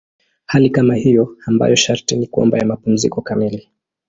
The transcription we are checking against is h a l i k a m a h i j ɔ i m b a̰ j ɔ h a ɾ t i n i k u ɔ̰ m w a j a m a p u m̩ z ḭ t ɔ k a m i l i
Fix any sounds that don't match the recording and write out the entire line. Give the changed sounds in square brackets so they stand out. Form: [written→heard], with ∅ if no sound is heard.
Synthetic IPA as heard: h a l i k a m a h i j ɔ [i→a] m b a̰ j ɔ [h→ʃ] a ɾ t i n i k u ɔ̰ m [w→b] a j a m a p u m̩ z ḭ [t→k] ɔ k a m i l i